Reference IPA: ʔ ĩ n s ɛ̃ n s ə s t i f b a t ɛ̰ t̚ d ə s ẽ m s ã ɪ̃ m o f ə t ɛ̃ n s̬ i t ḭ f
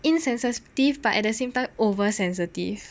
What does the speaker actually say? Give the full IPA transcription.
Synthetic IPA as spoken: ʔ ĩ n s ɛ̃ n s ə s t i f b a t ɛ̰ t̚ d ə s ẽ m t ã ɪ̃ m o v ə s ɛ̃ n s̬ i t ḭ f